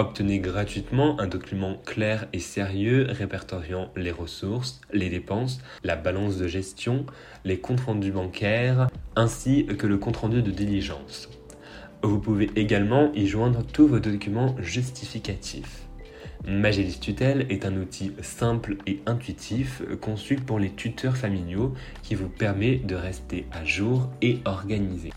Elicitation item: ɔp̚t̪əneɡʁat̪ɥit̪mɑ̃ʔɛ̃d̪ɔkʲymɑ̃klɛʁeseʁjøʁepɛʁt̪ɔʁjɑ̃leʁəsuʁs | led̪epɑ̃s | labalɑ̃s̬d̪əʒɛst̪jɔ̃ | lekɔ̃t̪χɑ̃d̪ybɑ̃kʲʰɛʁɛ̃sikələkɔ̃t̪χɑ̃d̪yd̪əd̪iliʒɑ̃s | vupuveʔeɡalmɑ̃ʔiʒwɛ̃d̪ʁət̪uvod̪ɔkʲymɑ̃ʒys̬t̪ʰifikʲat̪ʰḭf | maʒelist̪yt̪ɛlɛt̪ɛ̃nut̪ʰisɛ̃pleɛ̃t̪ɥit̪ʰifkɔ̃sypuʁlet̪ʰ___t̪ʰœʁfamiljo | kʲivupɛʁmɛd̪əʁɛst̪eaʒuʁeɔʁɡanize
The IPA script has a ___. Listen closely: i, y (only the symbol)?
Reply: y